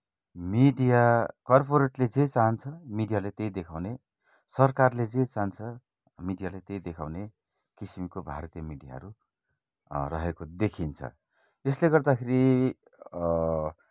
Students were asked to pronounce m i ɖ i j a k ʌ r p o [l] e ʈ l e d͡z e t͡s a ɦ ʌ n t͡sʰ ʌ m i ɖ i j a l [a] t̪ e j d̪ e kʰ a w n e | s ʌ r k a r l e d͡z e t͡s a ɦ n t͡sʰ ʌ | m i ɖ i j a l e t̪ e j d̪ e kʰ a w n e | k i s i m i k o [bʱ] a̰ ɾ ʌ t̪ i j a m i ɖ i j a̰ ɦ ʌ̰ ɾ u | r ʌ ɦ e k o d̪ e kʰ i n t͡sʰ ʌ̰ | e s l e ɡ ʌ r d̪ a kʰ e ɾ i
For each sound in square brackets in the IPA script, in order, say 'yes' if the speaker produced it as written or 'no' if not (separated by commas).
no, no, yes